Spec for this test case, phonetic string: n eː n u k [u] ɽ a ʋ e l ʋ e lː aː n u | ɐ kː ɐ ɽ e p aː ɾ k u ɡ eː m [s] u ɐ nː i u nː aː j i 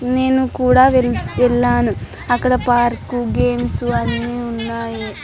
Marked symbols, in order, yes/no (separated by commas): no, yes